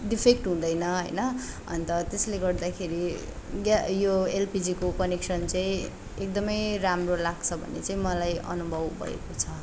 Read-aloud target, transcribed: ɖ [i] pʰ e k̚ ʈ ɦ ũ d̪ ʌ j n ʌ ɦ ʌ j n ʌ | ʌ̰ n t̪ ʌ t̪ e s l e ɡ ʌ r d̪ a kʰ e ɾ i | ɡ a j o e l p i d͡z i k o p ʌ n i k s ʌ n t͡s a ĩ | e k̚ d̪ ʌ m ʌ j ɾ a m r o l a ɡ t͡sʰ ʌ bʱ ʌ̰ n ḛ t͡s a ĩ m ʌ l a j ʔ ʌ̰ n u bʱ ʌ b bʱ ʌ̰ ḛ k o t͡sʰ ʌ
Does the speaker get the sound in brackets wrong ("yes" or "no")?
no